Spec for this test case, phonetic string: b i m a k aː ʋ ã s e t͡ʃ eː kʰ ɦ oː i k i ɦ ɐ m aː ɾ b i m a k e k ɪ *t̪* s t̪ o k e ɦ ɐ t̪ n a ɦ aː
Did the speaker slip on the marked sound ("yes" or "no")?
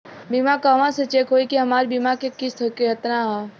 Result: yes